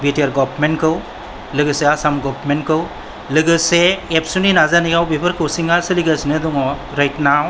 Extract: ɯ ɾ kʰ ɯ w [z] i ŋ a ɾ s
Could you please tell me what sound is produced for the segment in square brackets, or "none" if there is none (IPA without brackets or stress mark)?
s